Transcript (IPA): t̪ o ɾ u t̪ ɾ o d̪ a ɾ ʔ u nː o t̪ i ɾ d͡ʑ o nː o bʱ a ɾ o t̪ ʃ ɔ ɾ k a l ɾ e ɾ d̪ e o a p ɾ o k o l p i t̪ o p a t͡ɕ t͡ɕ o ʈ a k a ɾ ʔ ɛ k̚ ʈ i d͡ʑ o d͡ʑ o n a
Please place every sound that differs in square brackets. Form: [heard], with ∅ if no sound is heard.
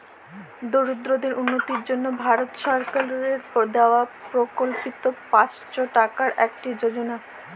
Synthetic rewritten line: [d̪] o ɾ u [d̪] ɾ o d̪ [e] ɾ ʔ u nː o t̪ i ɾ d͡ʑ o nː o bʱ a ɾ o t̪ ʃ ɔ ɾ k a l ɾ e ɾ d̪ e o a p ɾ o k o l p i t̪ o p a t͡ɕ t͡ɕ o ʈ a k a ɾ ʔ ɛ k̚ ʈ i d͡ʑ o d͡ʑ o n a